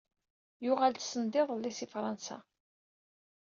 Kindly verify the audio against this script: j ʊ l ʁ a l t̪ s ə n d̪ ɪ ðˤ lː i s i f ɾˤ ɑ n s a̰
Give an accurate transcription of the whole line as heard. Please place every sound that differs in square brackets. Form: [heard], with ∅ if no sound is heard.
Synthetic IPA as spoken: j ʊ [∅] ʁ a l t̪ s ə n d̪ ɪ ðˤ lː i s i f ɾˤ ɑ n s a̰